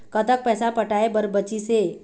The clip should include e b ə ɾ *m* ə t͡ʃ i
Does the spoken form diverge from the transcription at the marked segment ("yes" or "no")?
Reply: yes